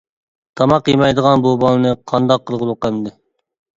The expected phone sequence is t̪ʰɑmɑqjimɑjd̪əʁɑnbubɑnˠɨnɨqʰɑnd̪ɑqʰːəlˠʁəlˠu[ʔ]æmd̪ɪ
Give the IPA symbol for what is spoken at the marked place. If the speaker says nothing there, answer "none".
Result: q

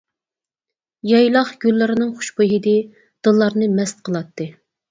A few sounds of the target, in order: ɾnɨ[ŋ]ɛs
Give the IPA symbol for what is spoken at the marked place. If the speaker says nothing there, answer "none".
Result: m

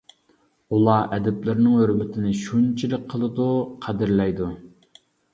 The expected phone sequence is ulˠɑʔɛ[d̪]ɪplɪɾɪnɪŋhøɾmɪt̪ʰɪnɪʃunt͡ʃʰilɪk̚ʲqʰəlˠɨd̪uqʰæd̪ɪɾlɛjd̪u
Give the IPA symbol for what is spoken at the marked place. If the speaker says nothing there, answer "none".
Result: d̪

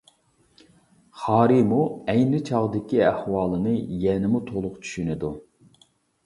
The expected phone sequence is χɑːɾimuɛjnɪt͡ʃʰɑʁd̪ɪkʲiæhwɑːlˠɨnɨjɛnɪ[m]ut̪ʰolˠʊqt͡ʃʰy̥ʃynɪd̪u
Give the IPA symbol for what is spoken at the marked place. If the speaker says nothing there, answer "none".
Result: m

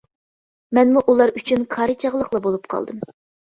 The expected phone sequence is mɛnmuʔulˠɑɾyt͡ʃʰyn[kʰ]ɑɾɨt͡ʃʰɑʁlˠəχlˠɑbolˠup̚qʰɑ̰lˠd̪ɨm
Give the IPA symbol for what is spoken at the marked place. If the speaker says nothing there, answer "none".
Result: kʰ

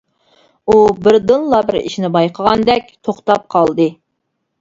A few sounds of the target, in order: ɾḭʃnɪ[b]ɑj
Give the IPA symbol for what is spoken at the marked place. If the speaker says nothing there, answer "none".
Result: b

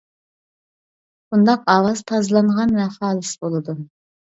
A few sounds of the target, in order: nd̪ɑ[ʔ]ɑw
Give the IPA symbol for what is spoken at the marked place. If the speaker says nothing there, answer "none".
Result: q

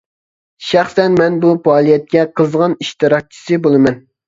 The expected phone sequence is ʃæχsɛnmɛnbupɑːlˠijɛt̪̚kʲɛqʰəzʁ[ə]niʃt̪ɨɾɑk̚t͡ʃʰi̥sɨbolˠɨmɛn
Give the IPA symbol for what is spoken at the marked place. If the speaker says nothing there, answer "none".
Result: ɑ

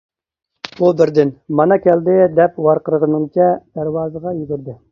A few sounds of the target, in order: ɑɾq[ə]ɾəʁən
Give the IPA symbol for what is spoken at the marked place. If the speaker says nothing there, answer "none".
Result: ə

